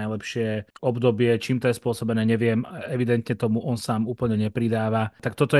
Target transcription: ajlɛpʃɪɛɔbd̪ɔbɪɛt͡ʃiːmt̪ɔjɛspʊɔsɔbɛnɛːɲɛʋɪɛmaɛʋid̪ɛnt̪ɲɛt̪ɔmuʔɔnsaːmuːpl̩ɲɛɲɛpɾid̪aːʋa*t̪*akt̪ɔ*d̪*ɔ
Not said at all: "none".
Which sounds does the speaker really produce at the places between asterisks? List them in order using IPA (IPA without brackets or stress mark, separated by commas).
t̪, t̪